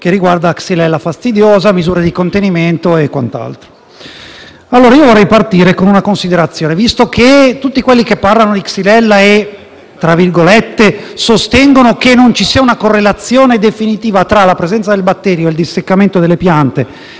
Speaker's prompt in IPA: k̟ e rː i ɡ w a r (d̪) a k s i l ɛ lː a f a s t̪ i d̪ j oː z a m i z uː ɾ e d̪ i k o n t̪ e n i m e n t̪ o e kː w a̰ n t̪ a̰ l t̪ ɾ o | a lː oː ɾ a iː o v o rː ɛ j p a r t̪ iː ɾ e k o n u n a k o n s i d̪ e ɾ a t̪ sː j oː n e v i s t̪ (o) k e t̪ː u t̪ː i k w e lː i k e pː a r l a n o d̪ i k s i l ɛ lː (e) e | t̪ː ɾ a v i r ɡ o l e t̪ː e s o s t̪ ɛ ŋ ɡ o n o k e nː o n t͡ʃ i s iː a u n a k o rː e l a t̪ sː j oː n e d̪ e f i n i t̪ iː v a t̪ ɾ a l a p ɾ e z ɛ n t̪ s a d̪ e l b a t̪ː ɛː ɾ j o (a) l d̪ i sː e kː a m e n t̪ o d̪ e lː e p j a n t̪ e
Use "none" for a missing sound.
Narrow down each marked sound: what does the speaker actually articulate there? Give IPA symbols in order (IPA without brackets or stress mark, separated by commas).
d̪, o, a, e